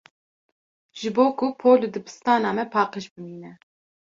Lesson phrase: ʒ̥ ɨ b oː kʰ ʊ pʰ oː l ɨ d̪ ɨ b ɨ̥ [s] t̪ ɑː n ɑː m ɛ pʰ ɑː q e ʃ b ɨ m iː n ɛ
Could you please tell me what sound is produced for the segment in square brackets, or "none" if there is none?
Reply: s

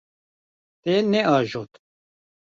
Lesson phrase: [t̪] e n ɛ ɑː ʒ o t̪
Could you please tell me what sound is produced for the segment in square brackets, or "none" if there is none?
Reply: t̪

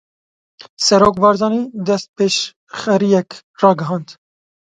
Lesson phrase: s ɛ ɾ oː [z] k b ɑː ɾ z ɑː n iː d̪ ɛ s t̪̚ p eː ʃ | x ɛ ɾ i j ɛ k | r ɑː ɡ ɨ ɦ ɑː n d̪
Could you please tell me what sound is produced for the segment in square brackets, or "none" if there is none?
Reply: none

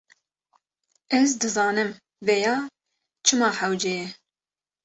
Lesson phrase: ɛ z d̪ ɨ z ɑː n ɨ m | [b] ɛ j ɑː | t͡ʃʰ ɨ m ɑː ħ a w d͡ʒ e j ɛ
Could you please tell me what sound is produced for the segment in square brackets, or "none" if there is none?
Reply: v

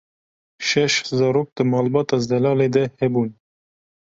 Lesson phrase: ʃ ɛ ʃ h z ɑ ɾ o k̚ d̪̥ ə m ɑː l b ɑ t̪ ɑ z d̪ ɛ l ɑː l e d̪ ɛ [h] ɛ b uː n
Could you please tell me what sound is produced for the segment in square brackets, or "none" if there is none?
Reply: h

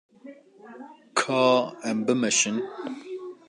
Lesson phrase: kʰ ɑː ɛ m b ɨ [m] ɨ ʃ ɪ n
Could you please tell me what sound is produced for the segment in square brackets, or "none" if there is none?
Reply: m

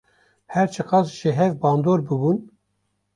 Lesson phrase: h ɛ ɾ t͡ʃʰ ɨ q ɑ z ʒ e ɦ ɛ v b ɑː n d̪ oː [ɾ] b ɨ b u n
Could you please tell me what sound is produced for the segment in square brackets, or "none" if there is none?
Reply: ɾ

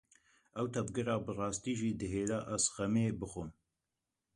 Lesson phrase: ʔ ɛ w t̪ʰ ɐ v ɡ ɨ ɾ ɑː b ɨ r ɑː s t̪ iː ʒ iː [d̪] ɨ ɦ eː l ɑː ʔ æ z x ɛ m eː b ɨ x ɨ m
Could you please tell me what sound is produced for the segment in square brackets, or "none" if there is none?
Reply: d̪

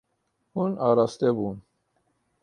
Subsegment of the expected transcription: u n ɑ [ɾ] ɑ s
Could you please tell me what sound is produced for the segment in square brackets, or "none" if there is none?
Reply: ɾ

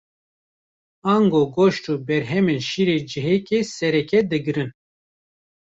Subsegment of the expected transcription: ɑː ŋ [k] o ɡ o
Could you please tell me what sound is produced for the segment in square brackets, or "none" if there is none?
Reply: ɡ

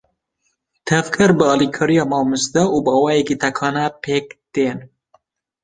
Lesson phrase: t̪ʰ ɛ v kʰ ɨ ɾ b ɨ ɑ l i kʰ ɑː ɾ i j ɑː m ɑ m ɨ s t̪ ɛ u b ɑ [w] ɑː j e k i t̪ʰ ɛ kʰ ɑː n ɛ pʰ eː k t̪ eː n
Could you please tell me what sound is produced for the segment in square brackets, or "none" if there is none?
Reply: w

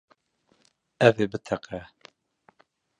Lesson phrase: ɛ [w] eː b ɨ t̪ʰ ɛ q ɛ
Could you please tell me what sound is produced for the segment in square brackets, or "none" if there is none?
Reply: v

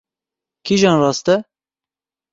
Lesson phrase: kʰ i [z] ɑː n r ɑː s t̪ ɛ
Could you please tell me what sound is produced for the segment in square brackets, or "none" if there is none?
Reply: ʒ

